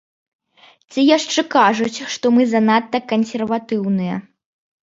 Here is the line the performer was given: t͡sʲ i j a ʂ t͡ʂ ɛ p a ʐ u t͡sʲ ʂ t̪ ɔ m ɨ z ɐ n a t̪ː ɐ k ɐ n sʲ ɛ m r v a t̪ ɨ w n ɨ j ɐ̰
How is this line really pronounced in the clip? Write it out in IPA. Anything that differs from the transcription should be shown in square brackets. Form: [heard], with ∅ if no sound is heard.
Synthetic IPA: t͡sʲ i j a ʂ t͡ʂ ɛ [k] a ʐ u t͡sʲ ʂ t̪ ɔ m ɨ z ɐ n a t̪ː ɐ k ɐ n sʲ ɛ [∅] r v a t̪ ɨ w n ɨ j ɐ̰